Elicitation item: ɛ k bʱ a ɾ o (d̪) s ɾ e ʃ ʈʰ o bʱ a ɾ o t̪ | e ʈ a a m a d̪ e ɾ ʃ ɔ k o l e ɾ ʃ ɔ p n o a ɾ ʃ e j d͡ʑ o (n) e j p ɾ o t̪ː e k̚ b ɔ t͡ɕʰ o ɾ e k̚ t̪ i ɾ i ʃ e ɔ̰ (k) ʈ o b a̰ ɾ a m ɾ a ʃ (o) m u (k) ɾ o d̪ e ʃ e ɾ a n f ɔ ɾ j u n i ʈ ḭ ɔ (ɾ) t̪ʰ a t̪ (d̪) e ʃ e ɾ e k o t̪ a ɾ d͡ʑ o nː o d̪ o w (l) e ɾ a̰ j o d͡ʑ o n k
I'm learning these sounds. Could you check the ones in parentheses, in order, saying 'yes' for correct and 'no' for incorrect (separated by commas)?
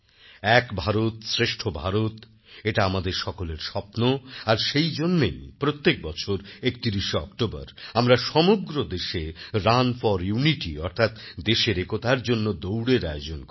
no, no, yes, no, no, yes, yes, no